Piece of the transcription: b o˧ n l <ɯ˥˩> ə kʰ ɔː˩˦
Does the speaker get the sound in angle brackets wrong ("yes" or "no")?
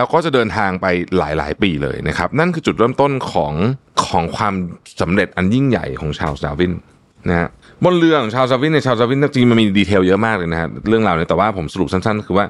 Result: yes